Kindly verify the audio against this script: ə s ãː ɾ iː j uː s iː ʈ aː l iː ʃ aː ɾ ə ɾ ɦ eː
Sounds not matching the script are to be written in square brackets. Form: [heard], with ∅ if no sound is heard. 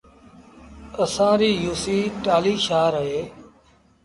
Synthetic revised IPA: ə s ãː ɾ iː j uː s iː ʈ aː l iː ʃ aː ɾ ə [∅] ɦ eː